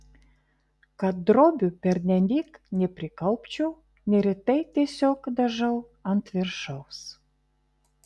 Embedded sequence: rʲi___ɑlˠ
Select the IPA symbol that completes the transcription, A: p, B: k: B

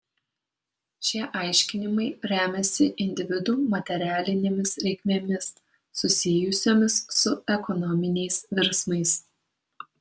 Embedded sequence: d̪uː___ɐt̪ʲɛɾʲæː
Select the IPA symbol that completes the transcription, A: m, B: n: A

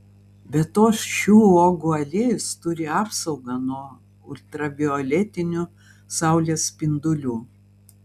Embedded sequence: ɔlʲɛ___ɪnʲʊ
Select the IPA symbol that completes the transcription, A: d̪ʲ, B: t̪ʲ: B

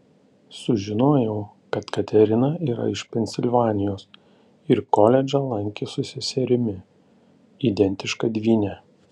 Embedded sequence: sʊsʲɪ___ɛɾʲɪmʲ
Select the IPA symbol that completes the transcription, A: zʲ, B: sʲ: B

